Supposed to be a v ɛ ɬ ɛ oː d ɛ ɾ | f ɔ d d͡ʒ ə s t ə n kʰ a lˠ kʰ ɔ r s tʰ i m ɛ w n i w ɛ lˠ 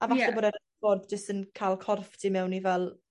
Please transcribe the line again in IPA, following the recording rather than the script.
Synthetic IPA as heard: a v a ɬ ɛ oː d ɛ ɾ | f ɔ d d͡ʒ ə s t ə n kʰ a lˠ kʰ ɔ r f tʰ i m ɛ w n i v ɛ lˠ